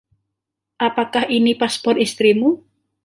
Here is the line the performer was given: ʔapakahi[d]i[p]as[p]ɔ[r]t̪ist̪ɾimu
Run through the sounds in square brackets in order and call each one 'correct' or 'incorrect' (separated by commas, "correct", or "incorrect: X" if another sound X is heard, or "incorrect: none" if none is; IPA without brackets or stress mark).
incorrect: n, correct, correct, correct